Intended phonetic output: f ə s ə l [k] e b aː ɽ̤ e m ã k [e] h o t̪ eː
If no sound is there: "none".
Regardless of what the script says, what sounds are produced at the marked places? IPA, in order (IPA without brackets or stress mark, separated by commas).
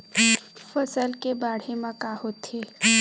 k, a